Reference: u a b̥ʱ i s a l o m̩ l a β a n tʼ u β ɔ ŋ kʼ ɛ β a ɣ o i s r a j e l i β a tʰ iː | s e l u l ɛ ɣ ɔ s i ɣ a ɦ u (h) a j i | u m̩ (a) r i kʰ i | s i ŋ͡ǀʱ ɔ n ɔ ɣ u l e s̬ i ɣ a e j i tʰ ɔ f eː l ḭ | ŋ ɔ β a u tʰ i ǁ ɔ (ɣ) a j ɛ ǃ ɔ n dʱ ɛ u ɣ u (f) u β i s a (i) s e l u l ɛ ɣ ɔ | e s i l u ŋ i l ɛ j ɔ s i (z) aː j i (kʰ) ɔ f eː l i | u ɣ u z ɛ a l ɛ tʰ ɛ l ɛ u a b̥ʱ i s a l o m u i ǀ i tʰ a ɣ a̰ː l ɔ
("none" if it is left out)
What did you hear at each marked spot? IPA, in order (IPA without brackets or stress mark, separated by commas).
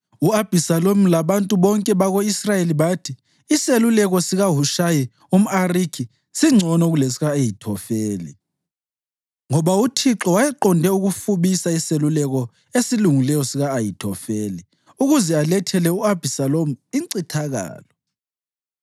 ʃ, a, w, f, i, ɣ, tʰ